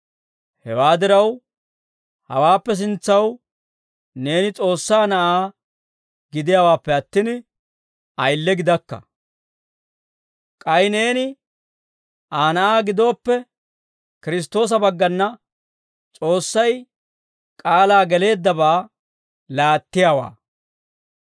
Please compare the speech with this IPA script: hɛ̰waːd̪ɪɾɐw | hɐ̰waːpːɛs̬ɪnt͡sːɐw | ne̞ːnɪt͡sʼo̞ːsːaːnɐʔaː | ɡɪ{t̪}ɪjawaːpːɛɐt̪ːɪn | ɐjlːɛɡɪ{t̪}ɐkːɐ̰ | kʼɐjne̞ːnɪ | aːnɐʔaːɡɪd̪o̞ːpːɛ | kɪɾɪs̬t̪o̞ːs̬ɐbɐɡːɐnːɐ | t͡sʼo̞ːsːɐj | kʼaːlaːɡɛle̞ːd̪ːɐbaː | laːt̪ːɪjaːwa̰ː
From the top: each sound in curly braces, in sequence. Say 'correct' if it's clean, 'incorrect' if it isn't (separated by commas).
incorrect, incorrect